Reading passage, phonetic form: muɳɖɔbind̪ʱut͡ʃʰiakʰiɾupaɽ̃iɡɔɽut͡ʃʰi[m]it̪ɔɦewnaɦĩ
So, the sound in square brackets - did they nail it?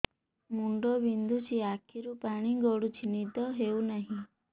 no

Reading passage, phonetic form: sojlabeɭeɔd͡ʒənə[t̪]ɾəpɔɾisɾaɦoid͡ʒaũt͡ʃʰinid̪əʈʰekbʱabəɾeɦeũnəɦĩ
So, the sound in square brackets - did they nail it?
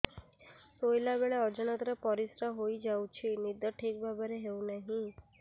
yes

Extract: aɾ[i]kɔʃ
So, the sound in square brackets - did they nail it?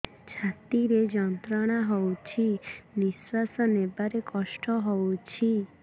no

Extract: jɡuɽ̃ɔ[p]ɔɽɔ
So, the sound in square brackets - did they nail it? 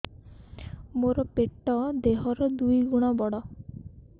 no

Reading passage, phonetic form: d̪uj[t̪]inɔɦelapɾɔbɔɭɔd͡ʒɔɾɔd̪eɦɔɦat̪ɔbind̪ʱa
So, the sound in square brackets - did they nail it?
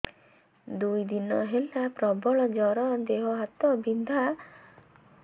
no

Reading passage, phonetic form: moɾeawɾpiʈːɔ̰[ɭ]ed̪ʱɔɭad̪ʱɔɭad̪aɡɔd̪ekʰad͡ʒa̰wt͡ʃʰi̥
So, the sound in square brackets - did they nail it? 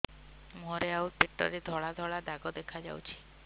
no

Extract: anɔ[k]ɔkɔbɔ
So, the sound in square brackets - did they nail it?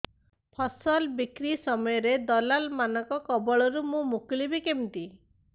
yes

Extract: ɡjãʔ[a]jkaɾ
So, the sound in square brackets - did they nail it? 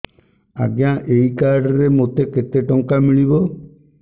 no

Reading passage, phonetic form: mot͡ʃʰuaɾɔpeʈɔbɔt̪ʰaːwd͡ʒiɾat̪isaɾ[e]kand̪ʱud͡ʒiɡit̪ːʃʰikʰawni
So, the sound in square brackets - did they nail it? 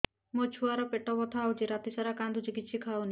no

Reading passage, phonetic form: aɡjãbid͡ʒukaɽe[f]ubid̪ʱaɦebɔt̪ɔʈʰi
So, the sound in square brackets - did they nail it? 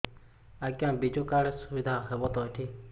no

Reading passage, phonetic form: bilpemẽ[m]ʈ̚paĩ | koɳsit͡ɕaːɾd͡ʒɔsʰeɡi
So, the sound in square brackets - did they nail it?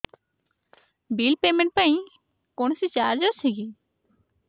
no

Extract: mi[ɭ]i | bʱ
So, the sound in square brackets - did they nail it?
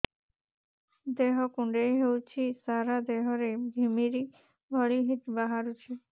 no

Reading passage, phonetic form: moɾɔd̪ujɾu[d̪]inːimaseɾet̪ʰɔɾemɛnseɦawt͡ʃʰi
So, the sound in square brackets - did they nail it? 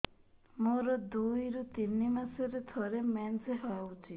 no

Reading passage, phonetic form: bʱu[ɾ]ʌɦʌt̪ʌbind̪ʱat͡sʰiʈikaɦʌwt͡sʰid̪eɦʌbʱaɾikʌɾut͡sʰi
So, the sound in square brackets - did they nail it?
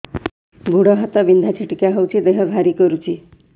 no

